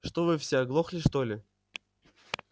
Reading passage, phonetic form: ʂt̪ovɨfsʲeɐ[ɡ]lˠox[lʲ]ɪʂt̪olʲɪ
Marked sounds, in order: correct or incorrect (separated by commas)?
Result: correct, correct